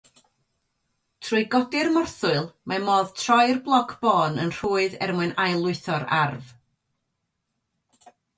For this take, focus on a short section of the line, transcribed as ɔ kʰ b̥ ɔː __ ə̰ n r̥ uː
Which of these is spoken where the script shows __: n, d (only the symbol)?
n